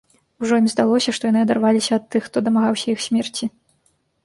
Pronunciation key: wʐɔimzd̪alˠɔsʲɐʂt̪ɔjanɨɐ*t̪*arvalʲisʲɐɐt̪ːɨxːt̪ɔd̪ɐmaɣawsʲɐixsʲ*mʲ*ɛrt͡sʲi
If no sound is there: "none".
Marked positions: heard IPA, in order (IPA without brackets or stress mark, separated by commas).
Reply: d̪, mʲ